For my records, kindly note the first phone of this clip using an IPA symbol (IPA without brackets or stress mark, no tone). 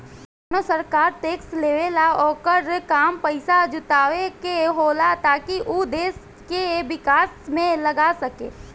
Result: n